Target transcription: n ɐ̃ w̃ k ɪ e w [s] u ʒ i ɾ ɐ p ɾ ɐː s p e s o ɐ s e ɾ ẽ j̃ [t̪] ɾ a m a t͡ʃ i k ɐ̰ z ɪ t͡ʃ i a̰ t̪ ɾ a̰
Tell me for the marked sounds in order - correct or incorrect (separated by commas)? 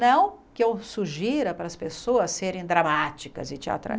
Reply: correct, incorrect